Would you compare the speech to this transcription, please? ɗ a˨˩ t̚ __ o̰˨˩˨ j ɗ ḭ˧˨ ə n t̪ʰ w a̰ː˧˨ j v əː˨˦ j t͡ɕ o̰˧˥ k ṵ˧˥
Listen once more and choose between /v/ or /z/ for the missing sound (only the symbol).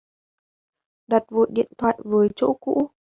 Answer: v